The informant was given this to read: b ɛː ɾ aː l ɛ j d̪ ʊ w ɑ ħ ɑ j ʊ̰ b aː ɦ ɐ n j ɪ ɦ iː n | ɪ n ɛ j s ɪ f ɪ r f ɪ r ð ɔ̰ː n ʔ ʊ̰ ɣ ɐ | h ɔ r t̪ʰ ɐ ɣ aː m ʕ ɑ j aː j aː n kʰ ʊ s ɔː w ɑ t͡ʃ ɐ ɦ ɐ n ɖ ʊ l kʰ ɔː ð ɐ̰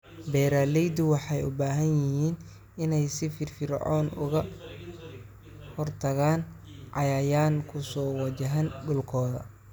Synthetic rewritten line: b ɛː ɾ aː l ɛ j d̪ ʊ w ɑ ħ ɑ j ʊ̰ b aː ɦ ɐ n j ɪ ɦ iː n | ɪ n ɛ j s ɪ f ɪ r f ɪ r ʕ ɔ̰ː n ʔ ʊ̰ ɣ ɐ | h ɔ r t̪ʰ ɐ ɣ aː n ʕ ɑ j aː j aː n kʰ ʊ s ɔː w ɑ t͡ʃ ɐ ɦ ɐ n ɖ ʊ l kʰ ɔː ð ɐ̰